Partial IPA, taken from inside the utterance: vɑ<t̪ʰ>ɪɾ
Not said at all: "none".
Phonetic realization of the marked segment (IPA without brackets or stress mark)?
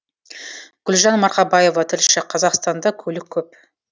t̪ʰ